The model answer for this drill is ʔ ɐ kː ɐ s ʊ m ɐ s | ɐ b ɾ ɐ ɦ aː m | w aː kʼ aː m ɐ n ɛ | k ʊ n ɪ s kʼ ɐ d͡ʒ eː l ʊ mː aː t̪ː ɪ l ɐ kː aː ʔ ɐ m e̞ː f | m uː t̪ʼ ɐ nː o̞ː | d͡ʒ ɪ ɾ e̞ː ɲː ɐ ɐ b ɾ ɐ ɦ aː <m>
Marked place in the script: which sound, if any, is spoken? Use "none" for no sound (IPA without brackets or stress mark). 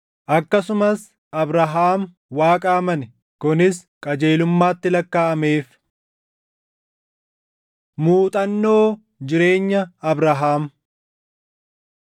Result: m